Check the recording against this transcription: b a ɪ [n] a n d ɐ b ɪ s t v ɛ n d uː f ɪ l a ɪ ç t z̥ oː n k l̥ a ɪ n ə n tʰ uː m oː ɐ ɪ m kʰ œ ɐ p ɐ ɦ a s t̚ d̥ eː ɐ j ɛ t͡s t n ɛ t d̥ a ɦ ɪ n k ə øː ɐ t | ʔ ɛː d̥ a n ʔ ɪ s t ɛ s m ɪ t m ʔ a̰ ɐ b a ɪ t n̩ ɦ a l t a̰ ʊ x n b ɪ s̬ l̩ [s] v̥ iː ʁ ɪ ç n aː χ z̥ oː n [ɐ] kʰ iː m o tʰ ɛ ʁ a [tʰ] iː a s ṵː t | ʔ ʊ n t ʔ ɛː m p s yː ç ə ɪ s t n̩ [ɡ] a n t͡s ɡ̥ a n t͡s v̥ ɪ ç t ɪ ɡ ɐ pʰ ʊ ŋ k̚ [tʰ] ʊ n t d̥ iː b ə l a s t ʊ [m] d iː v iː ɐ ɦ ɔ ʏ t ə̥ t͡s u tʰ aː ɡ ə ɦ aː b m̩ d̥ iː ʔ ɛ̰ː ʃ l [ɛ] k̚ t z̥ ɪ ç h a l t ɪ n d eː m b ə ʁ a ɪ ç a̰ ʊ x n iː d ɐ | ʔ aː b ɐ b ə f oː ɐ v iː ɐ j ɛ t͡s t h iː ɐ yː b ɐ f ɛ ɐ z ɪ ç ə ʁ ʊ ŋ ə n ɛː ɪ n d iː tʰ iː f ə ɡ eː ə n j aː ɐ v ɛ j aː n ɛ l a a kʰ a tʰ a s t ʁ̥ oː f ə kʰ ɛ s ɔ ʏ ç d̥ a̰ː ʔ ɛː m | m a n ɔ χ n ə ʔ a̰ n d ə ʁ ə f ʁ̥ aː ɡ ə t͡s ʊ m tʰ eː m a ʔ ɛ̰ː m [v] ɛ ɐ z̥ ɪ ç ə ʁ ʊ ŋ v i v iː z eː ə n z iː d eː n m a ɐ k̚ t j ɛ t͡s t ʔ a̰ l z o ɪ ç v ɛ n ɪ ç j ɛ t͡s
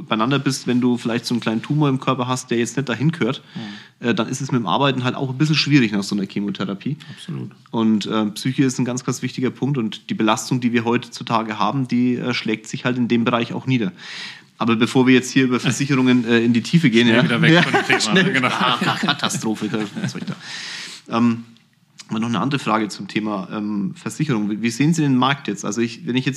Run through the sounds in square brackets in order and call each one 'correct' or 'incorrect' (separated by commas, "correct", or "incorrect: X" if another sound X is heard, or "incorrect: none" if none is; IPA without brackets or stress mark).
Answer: correct, incorrect: ʃ, correct, incorrect: pʰ, correct, incorrect: t, incorrect: ŋ, incorrect: ɛː, incorrect: f